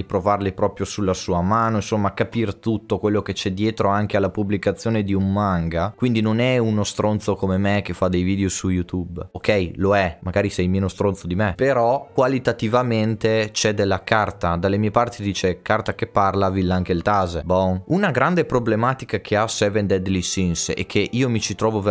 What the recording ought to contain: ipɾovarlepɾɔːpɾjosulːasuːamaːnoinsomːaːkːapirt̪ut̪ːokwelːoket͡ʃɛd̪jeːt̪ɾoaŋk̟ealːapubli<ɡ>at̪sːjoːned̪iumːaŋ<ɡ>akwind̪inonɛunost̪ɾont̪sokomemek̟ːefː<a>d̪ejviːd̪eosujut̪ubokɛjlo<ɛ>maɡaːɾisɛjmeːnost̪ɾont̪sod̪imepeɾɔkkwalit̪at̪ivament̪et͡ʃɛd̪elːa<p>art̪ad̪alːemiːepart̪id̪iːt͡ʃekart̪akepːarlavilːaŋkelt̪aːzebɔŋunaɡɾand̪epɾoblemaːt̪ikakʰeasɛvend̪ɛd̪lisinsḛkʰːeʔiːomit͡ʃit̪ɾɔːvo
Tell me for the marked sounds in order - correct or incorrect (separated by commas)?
incorrect, correct, correct, correct, incorrect